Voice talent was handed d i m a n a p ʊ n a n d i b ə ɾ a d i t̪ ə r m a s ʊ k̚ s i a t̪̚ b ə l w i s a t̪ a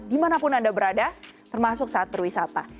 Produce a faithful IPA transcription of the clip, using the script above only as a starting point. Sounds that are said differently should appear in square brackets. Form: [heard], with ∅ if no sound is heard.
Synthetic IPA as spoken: d i m a n a p ʊ n a n d [a] b ə ɾ a d [a] t̪ ə r m a s ʊ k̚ s [a] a t̪̚ b ə [r] w i s a t̪ a